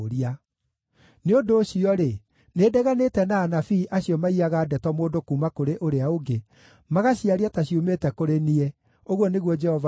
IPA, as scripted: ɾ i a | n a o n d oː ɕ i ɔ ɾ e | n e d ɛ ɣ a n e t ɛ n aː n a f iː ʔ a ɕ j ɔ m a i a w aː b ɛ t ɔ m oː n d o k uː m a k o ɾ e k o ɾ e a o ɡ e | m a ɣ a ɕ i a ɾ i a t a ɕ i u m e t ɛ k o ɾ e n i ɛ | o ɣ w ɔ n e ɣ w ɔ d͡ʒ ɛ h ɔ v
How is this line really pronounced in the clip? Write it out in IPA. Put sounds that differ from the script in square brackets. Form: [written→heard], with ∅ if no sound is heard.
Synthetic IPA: ɾ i a | n [a→e] o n d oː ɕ i ɔ ɾ e | n e d ɛ ɣ a n e t ɛ n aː n a f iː ʔ a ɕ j ɔ m a i a [w→ɣ] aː [b→d] ɛ t ɔ m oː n d o k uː m a k o ɾ e [k→ʔ] o ɾ e a o ɡ e | m a ɣ a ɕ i a ɾ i a t a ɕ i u m e t ɛ k o ɾ e n i ɛ | o ɣ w ɔ n e ɣ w ɔ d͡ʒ ɛ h ɔ v